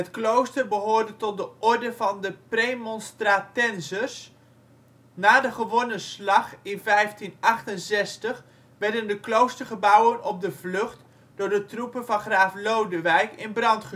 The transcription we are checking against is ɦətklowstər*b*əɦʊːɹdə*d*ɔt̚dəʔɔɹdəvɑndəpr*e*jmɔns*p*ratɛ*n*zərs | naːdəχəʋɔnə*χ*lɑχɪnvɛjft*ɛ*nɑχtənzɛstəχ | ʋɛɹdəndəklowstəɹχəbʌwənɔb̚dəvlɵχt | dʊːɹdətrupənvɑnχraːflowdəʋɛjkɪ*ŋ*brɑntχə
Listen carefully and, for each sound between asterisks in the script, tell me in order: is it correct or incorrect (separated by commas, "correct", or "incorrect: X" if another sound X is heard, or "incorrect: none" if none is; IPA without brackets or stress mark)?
correct, incorrect: t, correct, incorrect: t, correct, incorrect: s, incorrect: i, incorrect: n